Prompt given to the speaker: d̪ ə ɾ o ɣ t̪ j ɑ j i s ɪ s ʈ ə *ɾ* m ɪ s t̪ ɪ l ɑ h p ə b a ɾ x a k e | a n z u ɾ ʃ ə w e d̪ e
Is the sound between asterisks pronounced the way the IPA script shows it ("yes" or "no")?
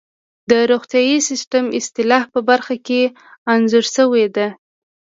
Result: no